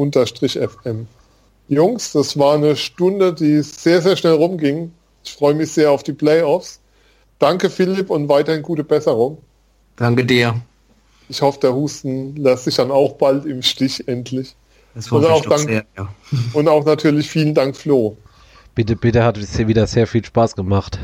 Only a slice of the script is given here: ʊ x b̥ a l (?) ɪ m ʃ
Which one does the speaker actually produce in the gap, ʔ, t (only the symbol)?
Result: t